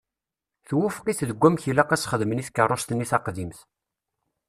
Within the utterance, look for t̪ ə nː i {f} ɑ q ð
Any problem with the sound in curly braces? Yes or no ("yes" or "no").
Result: yes